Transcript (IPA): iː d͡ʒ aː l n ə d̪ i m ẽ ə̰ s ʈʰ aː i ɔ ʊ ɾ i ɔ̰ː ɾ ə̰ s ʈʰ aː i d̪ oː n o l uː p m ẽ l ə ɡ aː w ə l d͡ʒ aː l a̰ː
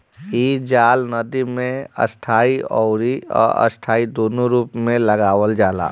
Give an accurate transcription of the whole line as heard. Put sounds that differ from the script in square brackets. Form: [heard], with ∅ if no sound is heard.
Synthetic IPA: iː d͡ʒ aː l n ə d̪ i m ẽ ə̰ s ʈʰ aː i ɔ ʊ ɾ i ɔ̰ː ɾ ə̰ s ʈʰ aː i d̪ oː n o [ɾ] uː p m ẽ l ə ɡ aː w ə l d͡ʒ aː l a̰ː